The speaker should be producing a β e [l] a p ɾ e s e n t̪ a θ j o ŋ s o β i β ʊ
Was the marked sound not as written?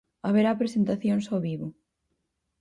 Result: yes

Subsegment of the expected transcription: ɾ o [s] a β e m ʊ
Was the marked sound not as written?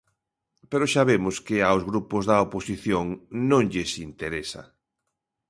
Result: yes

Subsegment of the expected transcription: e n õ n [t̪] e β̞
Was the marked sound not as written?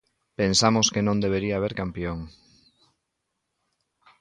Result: yes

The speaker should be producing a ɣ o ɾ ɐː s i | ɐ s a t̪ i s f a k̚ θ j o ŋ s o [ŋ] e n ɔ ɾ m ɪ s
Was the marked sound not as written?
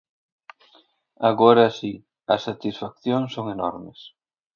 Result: no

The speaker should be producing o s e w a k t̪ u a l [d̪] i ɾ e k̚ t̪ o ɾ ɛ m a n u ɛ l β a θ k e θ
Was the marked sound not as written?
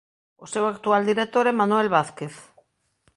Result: no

